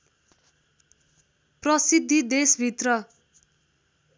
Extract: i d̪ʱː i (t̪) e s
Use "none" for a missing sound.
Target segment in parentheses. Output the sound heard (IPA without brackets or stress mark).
d̪